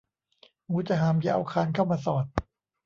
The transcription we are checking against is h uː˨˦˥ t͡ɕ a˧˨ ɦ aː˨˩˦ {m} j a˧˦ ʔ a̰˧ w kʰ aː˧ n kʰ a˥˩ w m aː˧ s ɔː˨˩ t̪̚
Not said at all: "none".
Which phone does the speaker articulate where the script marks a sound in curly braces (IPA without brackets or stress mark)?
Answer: m